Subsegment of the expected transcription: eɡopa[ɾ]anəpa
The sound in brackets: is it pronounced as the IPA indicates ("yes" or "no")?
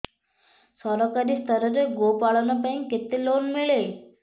no